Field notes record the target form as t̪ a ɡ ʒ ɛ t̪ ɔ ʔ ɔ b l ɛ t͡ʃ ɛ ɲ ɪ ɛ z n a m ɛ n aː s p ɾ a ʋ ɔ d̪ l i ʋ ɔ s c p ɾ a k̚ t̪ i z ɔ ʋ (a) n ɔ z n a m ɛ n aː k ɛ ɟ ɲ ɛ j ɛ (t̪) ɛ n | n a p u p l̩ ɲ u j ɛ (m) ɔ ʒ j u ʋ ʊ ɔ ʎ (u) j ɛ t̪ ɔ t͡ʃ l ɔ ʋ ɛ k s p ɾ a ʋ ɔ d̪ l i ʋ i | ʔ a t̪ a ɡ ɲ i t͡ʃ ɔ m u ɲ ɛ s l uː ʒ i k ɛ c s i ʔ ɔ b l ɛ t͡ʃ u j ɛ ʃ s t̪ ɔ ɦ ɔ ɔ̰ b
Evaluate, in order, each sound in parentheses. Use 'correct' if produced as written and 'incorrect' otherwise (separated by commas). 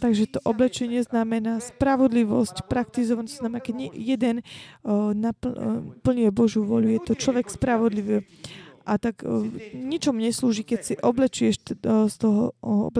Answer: correct, incorrect, incorrect, correct